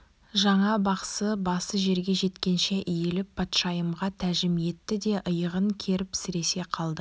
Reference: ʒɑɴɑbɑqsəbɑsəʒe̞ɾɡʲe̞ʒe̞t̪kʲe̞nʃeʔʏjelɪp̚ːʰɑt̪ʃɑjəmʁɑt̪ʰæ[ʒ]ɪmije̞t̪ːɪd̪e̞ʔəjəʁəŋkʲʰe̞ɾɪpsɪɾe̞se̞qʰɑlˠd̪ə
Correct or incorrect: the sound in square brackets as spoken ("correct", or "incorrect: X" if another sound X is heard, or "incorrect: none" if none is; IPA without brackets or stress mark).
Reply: correct